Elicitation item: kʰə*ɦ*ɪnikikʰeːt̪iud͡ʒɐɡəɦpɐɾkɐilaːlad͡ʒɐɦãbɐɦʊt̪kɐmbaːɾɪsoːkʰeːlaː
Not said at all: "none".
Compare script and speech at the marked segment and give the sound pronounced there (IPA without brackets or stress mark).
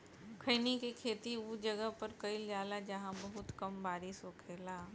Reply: none